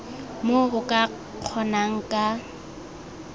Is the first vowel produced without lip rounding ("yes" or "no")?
no